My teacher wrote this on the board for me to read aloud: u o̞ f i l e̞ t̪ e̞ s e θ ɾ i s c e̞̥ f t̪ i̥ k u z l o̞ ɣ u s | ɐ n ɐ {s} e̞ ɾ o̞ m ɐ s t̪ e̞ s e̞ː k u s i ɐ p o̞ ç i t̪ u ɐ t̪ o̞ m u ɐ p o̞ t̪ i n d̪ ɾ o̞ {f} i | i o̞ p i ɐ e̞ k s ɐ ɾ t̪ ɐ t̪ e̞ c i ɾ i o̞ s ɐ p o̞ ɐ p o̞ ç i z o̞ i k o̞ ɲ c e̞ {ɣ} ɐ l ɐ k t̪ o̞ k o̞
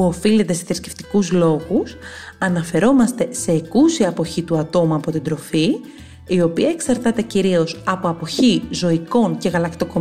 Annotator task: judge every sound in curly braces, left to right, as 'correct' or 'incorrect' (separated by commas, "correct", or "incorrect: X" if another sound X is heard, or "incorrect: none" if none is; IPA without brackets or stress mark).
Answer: incorrect: f, correct, correct